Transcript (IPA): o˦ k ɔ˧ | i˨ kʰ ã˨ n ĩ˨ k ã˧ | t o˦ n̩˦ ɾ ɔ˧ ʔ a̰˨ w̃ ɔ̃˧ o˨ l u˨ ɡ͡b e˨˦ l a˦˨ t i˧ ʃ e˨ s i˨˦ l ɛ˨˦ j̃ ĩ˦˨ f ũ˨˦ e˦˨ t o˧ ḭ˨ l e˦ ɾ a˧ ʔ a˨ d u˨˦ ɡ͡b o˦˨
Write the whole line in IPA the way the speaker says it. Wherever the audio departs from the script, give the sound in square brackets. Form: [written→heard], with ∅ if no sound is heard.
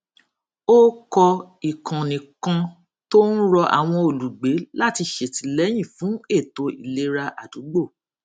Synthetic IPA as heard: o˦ k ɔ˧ | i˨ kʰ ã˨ n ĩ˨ k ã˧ | t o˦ n̩˦ ɾ ɔ˧ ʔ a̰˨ w̃ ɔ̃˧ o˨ l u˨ ɡ͡b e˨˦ l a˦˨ t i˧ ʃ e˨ [s→t] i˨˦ l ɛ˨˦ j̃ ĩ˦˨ f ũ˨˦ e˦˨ t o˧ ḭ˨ l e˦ ɾ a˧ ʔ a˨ d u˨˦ ɡ͡b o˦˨